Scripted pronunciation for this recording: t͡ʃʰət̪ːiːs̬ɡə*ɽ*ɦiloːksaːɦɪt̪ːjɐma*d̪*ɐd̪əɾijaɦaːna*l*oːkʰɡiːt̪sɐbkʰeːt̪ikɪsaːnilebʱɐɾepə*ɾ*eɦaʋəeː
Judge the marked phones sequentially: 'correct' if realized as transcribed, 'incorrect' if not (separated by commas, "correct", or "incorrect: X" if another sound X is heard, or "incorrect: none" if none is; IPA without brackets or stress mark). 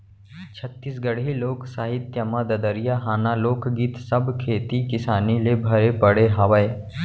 correct, correct, correct, incorrect: ɽ